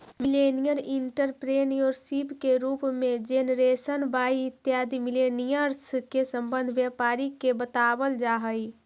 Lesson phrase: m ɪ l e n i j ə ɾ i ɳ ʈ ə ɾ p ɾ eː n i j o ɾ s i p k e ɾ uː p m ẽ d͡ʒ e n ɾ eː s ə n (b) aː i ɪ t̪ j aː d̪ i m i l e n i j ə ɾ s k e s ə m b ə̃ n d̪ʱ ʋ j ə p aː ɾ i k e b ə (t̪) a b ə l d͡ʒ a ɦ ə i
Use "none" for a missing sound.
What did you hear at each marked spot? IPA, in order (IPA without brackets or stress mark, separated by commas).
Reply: b, t̪